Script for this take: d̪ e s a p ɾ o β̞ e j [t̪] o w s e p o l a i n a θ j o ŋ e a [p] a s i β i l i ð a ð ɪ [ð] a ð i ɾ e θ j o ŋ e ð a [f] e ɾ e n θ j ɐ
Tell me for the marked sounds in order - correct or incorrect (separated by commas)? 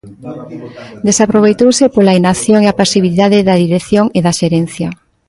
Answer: correct, correct, correct, incorrect